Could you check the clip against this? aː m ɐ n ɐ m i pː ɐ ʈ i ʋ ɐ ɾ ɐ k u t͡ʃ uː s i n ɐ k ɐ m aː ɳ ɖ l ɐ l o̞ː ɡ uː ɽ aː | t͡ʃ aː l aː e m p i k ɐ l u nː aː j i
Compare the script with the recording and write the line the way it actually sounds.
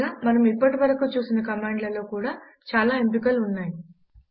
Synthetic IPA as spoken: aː m ɐ n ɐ m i pː ɐ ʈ i ʋ ɐ ɾ ɐ k u t͡ʃ uː s i n ɐ k ɐ m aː ɳ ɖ l ɐ l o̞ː k uː ɽ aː | t͡ʃ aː l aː e m p i k ɐ l u nː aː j i